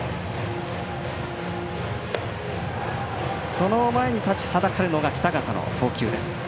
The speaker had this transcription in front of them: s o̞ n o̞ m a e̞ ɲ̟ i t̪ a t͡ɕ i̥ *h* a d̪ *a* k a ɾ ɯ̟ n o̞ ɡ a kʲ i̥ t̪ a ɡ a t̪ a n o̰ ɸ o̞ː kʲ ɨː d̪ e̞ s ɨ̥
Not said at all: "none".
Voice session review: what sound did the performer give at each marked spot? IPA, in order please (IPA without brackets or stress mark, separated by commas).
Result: h, a